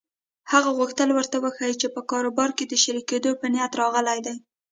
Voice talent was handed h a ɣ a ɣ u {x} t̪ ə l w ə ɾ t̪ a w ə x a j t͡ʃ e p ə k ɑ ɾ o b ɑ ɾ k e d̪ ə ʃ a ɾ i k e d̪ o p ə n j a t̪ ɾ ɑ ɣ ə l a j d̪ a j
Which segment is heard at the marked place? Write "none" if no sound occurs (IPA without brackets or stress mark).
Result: x